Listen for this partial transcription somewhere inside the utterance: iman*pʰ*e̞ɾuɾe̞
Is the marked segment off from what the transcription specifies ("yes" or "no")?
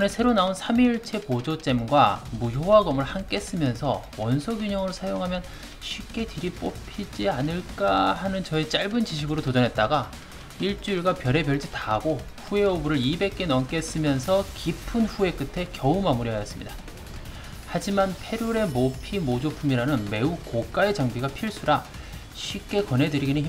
no